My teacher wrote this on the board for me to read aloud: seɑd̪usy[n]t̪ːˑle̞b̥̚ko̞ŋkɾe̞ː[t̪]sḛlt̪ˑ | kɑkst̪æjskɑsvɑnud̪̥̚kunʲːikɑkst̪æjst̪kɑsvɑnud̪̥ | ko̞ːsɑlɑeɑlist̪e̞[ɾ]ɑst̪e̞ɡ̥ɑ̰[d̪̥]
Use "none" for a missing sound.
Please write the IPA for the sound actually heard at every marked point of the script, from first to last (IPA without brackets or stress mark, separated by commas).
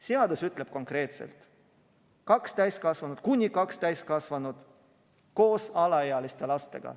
none, t̪, l, none